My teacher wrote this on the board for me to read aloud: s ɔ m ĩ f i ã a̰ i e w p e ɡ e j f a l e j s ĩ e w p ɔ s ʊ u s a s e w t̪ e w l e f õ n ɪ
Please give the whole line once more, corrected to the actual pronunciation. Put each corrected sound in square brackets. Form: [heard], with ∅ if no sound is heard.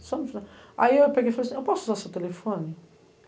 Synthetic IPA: s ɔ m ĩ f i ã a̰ i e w p e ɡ e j f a l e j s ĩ e w p ɔ s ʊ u [z] a s e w t̪ e [∅] l e f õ n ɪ